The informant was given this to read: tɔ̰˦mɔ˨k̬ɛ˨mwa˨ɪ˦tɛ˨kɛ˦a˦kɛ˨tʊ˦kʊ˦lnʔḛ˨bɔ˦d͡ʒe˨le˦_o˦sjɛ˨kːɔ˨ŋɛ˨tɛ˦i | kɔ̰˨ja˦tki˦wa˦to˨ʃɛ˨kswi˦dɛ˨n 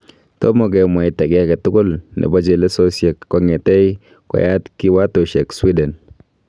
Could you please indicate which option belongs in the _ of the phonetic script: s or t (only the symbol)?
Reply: s